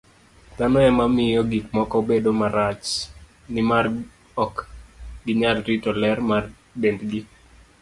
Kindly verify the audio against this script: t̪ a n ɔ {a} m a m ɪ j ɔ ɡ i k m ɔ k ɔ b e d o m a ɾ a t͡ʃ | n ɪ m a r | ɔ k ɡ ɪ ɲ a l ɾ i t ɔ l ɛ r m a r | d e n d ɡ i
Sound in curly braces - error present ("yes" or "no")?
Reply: yes